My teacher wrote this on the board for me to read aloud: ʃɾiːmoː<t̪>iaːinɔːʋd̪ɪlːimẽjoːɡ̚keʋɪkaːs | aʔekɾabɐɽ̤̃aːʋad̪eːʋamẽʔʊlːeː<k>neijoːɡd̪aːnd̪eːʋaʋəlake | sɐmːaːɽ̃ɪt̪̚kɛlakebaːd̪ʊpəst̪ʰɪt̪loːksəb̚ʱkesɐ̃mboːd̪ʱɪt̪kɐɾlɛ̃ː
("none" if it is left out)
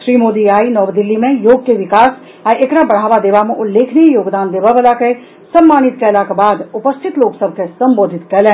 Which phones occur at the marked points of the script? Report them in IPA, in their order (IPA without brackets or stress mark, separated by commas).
d̪, kʰ